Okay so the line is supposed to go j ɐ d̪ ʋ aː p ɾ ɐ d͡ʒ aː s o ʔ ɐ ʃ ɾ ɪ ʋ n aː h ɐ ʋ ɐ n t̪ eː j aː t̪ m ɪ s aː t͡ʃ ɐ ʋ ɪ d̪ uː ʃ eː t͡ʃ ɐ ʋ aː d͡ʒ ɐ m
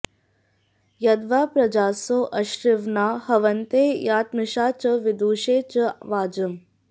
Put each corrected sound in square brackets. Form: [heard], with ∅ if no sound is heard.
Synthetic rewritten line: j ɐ d̪ ʋ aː p ɾ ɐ d͡ʒ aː s o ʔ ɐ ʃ ɾ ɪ ʋ n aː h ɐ ʋ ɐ n t̪ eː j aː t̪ m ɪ [ʃ] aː t͡ʃ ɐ ʋ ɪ d̪ uː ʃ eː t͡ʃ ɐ ʋ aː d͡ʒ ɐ m